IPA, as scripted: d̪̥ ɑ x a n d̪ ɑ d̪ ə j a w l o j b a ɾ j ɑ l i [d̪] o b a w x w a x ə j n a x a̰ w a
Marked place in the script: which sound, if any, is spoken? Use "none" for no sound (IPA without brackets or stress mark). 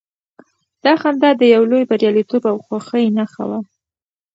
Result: t̪